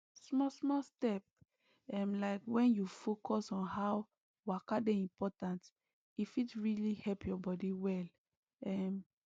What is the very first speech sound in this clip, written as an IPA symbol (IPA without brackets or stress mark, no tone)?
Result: s